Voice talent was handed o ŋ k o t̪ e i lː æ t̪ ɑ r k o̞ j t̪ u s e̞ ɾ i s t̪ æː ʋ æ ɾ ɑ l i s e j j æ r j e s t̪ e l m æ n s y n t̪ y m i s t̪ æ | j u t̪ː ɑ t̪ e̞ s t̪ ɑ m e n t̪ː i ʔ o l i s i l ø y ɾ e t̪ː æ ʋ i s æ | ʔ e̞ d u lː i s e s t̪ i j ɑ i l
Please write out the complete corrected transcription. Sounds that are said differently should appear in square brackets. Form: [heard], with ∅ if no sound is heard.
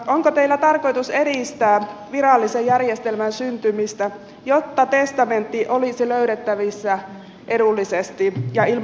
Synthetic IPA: o ŋ k o t̪ e i lː æ t̪ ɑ r k o̞ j t̪ u s e̞ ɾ i s t̪ æː ʋ [i] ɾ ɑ [lː] i s e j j æ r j e s t̪ e l m æ n s y n t̪ y m i s t̪ æ | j [o] t̪ː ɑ t̪ e̞ s t̪ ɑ m e n t̪ː i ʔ o l i s i l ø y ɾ e t̪ː æ ʋ i [sː] æ | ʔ e̞ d u lː i s e s t̪ i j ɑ i l